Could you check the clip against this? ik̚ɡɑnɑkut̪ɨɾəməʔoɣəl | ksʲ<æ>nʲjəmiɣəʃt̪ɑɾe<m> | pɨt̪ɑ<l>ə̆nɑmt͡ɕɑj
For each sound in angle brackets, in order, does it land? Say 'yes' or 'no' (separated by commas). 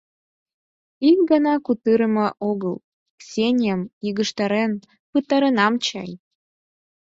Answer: no, no, no